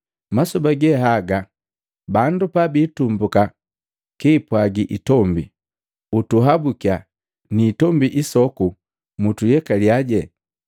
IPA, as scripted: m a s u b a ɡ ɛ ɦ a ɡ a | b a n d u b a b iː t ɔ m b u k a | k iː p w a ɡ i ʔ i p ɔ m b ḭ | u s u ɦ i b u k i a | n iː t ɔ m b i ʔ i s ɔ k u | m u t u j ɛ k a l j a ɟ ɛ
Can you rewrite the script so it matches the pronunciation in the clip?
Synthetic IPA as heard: m a s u b a ɡ ɛ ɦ a ɡ a | b a n d u p a b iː t u m b u k a | k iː p w a ɡ i ʔ i t ɔ m b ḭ | u t u ɦ a b u k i a | n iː t ɔ m b i ʔ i s ɔ k u | m u t u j ɛ k a l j a ɟ ɛ